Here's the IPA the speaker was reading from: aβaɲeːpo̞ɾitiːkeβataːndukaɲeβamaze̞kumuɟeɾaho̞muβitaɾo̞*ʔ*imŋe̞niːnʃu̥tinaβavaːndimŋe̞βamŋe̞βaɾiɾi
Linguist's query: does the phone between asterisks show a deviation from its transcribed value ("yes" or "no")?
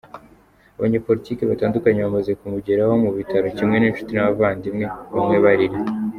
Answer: yes